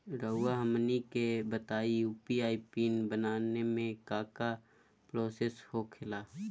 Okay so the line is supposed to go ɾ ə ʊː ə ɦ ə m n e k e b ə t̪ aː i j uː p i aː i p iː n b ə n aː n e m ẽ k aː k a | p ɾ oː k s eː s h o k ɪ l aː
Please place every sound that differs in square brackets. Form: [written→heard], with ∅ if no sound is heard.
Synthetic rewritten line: ɾ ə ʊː [ə→a] ɦ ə m n [e→i] k e b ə t̪ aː i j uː p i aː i p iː n b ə n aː n e m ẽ k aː k a | p ɾ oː [k→∅] s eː s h o [k→kʰ] ɪ l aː